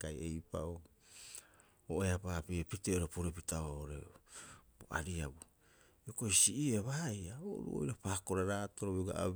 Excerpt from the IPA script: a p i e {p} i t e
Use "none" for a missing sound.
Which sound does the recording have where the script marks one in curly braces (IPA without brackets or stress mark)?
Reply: p